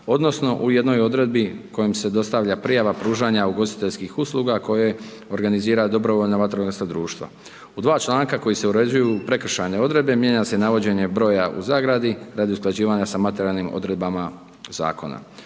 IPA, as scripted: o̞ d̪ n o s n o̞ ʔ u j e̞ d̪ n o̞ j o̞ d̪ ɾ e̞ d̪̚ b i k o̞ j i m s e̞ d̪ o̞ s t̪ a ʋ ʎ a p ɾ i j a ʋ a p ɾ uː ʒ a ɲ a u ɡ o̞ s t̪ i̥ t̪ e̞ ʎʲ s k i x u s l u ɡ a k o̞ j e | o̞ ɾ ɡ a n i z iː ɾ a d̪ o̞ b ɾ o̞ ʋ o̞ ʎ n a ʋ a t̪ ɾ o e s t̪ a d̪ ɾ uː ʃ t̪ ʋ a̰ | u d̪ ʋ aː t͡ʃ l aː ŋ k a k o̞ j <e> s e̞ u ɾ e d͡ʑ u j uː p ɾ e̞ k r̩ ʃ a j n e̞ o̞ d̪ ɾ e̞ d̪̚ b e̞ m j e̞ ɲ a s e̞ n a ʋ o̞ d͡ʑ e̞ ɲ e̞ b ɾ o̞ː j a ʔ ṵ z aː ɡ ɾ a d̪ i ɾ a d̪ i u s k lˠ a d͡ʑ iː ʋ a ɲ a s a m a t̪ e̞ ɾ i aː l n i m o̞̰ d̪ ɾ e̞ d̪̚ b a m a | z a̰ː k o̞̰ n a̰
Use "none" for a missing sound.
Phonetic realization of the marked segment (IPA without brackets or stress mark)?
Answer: i